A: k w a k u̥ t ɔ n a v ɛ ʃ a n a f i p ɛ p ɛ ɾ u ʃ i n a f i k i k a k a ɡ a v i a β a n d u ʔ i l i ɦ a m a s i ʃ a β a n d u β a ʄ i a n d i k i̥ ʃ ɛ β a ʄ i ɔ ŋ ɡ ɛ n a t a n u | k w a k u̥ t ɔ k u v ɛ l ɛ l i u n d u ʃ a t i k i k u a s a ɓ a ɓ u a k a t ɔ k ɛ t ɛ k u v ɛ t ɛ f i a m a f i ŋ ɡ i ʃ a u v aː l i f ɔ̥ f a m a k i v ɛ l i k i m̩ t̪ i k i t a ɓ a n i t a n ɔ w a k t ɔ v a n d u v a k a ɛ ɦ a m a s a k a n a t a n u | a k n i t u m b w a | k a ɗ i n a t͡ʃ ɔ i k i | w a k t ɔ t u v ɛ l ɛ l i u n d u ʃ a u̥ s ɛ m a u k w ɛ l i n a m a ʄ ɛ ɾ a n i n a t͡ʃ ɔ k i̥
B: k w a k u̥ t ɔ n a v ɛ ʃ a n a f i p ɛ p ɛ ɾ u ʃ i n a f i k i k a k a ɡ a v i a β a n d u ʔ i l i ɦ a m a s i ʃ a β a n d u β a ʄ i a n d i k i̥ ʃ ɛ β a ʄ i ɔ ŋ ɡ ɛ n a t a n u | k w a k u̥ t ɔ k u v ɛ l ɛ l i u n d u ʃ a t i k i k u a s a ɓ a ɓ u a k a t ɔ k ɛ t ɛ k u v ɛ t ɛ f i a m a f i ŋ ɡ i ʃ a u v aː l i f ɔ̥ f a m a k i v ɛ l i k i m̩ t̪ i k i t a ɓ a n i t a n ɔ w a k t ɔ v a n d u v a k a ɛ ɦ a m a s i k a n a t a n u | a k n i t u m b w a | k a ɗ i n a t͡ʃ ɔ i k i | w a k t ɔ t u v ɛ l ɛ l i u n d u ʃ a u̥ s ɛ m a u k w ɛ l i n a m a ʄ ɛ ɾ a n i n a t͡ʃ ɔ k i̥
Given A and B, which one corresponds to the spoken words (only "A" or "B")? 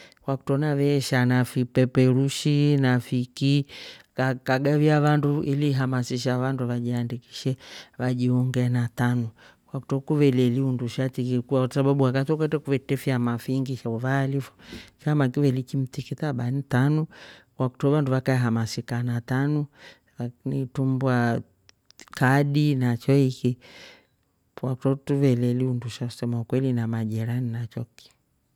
B